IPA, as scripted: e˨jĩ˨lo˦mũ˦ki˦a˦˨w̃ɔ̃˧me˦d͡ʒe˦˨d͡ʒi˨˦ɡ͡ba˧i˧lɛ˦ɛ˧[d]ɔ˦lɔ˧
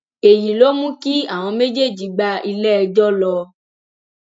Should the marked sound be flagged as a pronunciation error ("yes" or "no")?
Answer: yes